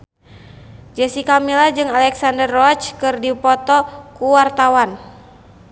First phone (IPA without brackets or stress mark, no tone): d͡ʒ